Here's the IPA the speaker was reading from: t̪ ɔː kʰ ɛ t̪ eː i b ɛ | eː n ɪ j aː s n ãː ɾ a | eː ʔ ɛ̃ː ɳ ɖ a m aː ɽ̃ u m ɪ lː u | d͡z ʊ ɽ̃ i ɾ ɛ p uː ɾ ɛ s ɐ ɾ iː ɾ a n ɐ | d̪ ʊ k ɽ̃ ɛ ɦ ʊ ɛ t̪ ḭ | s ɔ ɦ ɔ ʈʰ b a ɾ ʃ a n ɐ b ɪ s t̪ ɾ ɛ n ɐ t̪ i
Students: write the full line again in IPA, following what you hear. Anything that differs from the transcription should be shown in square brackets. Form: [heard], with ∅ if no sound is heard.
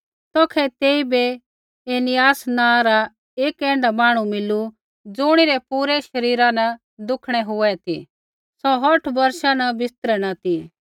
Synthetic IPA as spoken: t̪ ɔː kʰ ɛ t̪ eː i b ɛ | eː n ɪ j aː s n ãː ɾ a | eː [k] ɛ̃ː ɳ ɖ a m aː ɽ̃ u m ɪ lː u | d͡z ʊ ɽ̃ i ɾ ɛ p uː ɾ ɛ [ʃ] ɐ ɾ iː ɾ a n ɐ | d̪ ʊ [kʰ] ɽ̃ ɛ ɦ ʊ ɛ t̪ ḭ | s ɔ ɦ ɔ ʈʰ b [ɐ] ɾ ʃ a n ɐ b ɪ s t̪ ɾ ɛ n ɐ t̪ i